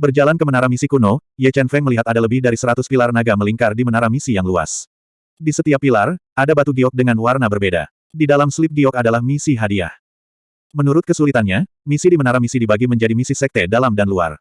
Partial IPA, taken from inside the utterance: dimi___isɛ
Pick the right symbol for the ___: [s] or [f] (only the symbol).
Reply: s